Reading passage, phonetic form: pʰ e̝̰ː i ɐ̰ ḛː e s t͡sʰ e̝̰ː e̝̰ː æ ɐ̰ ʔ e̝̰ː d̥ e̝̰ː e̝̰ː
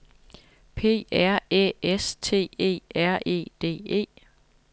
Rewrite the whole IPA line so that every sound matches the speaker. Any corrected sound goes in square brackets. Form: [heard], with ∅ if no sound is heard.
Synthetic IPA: pʰ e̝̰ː [æ] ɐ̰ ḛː e s t͡sʰ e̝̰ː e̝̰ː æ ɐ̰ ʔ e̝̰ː d̥ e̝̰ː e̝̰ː